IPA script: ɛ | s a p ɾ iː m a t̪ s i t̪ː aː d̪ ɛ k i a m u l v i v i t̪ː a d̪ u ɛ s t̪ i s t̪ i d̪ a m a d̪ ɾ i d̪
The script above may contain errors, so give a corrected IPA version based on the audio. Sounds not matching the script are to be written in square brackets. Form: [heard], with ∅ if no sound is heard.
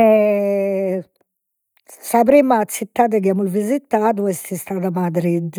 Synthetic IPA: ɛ | s a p ɾ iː m a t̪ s i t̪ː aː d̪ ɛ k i a m u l v i [z] i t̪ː a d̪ u ɛ s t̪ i s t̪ [a] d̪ a m a d̪ ɾ i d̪